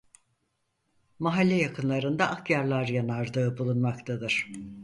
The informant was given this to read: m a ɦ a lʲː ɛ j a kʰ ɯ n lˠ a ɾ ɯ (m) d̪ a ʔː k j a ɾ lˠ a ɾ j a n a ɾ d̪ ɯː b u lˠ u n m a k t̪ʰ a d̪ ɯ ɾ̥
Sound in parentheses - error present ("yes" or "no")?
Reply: yes